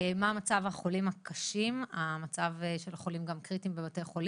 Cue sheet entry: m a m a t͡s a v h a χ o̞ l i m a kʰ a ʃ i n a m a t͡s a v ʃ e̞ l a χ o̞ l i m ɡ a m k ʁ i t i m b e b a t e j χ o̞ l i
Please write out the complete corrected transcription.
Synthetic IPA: m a m a t͡s a v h a χ o̞ l i m a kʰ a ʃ i m a m a t͡s a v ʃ e̞ l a χ o̞ l i m ɡ a m k ʁ i t i m b e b a t e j χ o̞ l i